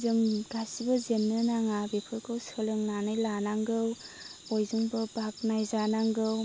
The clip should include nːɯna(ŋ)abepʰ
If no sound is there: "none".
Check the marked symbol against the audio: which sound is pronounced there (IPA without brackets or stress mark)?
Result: ŋ